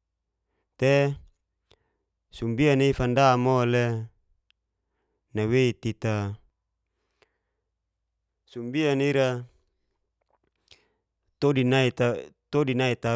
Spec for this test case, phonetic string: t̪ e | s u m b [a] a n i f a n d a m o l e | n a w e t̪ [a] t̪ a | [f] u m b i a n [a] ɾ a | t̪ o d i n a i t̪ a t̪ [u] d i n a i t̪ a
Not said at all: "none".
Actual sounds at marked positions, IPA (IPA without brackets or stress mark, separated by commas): i, i, s, i, o